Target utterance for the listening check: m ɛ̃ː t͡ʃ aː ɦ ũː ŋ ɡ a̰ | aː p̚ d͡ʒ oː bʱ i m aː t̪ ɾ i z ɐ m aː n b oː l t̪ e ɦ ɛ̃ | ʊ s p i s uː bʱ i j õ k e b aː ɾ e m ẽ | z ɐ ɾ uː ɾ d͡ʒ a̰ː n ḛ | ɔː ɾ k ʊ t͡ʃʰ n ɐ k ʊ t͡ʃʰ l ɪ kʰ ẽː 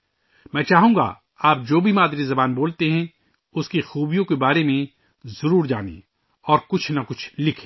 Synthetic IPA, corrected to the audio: m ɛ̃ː t͡ʃ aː ɦ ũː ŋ ɡ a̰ | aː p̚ d͡ʒ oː bʱ i m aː d̪ ɾ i z ɐ b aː n b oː l t̪ e ɦ ɛ̃ | ʊ s k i x uː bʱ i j õ k e b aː ɾ e m ẽ | z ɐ ɾ uː ɾ d͡ʒ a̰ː n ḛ | ɔː ɾ k ʊ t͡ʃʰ n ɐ k ʊ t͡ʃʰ l ɪ kʰ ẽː